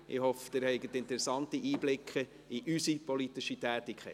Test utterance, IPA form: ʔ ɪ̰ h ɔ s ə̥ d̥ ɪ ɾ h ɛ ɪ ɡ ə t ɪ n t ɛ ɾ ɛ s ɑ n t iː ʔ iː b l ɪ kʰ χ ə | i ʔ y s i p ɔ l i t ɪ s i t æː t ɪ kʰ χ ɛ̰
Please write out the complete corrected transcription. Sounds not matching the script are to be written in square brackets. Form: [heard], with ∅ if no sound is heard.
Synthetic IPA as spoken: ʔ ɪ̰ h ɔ [f] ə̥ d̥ ɪ ɾ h ɛ ɪ ɡ ə t ɪ n t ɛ ɾ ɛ s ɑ n t [i] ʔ iː b l ɪ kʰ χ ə | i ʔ y s i p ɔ l i t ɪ [ʃ] i t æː t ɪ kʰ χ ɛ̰